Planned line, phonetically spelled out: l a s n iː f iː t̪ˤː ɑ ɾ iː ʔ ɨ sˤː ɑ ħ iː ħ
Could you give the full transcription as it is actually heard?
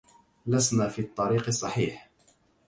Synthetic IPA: l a s n aː f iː t̪ˤː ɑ ɾ iː q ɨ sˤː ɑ ħ iː ħ